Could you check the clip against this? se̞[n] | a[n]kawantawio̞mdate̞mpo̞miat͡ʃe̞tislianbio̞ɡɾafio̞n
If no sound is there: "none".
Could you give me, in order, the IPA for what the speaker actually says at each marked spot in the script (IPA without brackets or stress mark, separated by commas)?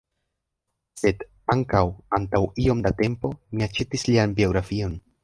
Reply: d, ŋ